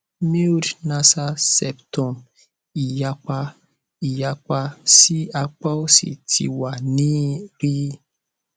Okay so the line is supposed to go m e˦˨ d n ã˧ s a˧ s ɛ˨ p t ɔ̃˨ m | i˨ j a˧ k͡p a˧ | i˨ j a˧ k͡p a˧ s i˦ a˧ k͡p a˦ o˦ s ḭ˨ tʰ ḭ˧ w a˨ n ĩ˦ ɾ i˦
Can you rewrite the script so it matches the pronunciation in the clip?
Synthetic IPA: m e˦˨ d n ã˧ s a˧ s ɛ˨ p t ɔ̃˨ m | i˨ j a˧ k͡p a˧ | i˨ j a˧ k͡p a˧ s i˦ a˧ k͡p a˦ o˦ s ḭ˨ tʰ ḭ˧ w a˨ n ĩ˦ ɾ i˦